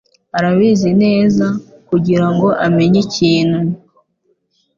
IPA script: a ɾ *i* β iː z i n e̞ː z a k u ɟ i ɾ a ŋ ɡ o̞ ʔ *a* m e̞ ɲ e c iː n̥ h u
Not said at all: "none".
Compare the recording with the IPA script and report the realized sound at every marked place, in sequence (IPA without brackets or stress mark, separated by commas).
a, a